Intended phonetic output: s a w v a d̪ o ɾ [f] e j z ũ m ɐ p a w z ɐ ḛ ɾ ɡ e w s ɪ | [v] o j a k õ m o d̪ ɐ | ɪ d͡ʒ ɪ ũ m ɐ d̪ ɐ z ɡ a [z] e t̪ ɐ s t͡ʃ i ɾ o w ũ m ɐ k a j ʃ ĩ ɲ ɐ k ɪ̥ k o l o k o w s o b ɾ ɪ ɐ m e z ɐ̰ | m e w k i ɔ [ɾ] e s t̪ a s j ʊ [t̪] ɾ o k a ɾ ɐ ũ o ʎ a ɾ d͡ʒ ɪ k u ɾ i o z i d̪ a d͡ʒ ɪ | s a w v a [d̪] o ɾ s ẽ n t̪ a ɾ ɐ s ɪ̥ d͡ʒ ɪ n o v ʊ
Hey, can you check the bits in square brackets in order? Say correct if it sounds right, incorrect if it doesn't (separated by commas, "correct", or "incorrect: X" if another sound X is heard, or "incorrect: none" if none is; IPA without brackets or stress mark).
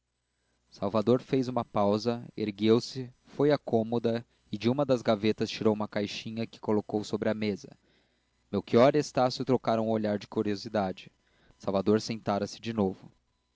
correct, incorrect: f, incorrect: v, correct, correct, correct